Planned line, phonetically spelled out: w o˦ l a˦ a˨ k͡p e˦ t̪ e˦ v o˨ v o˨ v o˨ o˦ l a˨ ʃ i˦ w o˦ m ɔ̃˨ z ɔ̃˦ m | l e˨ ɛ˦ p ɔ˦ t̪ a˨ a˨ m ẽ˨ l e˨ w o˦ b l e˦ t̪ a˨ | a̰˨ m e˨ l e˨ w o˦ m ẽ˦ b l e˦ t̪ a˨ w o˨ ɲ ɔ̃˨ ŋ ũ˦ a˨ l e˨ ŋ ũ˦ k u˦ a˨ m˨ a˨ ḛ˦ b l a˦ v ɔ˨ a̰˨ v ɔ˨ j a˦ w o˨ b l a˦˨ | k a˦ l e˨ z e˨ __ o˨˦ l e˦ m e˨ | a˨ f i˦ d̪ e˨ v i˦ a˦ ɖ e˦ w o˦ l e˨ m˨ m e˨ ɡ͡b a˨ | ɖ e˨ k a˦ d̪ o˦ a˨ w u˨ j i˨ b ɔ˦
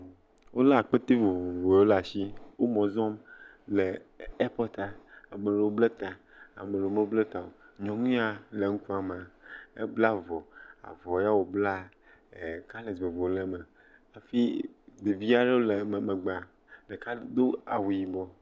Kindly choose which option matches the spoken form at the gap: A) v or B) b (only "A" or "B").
A